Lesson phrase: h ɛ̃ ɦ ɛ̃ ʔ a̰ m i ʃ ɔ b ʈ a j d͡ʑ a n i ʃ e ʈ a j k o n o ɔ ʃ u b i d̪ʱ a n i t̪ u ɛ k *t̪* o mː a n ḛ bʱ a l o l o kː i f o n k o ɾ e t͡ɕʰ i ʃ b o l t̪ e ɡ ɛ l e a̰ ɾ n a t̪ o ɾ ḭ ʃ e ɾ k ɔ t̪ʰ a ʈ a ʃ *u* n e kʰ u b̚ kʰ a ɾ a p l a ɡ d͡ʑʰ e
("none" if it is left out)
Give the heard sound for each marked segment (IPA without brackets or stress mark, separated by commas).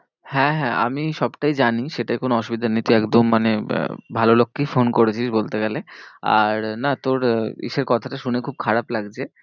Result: d̪, u